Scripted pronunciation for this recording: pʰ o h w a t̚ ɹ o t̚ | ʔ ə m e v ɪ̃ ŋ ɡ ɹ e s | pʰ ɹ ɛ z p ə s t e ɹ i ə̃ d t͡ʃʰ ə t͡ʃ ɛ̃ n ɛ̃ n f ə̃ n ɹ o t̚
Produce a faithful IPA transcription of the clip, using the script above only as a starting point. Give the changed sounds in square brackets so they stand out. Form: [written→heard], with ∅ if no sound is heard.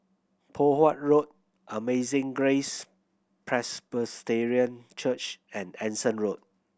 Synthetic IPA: pʰ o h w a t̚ ɹ o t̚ | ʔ ə m e [v→z] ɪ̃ ŋ ɡ ɹ e s | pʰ ɹ ɛ [z→s] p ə s t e ɹ i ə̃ [d→n] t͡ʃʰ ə t͡ʃ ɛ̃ n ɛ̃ n [f→s] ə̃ n ɹ o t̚